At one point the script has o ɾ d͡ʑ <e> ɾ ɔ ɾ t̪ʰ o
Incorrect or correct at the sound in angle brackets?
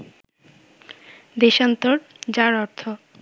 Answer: incorrect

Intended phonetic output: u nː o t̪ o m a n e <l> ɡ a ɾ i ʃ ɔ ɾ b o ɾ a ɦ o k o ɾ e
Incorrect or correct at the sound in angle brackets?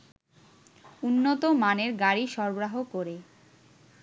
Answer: incorrect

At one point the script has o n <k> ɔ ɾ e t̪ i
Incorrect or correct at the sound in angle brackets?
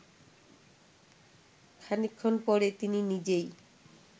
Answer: incorrect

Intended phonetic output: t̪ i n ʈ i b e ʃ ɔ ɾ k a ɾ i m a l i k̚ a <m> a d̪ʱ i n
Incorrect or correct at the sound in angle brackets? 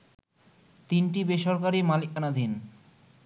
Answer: incorrect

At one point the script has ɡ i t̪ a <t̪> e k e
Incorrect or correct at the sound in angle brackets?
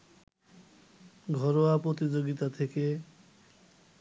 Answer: incorrect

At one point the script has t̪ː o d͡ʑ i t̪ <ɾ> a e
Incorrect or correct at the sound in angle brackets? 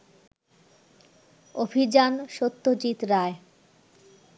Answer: correct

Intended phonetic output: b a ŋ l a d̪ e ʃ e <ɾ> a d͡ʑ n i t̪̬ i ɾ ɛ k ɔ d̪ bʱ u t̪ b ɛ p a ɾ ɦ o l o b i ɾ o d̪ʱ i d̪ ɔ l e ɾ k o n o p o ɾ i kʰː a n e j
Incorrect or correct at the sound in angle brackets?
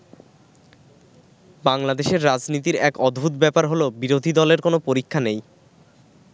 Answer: incorrect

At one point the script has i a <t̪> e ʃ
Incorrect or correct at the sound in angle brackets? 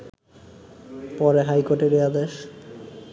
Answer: incorrect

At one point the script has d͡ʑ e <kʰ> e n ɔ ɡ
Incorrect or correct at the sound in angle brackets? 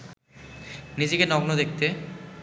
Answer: incorrect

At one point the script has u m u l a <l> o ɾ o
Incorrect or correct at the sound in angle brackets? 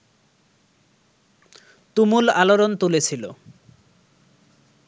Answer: correct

